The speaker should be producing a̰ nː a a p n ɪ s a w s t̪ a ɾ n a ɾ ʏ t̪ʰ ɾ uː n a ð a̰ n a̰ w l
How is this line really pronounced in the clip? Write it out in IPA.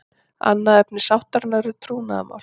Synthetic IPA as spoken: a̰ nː a ɛ p n ɪ s a w h t̪ a ɾ n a ɾ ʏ t̪ʰ ɾ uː n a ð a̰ m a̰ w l